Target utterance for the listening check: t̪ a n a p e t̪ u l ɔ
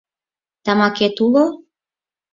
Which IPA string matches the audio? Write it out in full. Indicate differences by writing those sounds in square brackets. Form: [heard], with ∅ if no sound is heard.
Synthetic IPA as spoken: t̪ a [m] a [k] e t̪ u l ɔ